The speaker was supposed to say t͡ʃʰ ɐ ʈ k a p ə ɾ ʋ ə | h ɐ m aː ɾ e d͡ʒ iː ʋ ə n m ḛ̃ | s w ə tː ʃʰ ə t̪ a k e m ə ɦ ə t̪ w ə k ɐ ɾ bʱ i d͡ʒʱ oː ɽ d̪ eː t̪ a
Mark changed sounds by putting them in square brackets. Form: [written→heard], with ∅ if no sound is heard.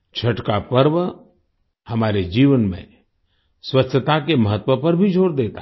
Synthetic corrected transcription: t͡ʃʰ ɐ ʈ k a p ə ɾ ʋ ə | h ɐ m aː ɾ e d͡ʒ iː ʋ ə n m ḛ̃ | s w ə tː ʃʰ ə t̪ a k e m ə ɦ ə t̪ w ə [k→p] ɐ ɾ bʱ i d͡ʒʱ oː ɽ d̪ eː t̪ a